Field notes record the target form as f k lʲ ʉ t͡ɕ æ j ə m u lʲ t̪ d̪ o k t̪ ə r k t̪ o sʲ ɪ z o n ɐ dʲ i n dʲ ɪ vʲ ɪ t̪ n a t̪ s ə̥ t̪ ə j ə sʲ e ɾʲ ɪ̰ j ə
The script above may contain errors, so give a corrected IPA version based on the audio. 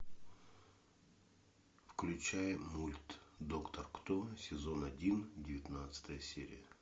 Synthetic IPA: f k lʲ ʉ t͡ɕ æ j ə m u lʲ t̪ d̪ o k t̪ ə r k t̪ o sʲ ɪ z o n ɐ dʲ i n dʲ ɪ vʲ ɪ t̪ n a t̪ s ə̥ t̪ ə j ə sʲ e ɾʲ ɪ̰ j ə